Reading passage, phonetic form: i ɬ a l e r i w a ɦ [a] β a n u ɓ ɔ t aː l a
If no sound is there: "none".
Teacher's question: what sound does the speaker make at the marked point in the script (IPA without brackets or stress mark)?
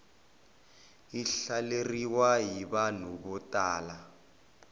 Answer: i